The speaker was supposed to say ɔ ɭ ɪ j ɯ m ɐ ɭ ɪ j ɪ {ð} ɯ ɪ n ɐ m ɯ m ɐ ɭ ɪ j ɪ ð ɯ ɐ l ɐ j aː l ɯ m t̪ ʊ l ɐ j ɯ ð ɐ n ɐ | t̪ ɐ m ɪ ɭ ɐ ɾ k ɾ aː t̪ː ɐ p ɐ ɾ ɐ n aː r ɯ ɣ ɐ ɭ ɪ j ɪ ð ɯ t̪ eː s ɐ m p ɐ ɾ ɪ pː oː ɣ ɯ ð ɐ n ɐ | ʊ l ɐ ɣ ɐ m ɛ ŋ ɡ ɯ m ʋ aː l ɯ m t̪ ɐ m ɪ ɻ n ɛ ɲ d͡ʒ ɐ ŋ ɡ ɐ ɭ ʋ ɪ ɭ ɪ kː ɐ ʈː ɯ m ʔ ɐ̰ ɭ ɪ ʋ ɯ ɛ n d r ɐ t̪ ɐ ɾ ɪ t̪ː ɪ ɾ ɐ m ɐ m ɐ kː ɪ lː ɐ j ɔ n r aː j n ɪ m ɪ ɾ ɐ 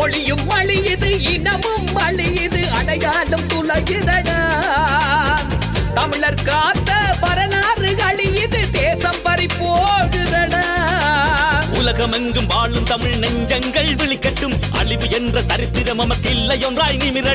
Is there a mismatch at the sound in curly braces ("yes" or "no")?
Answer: no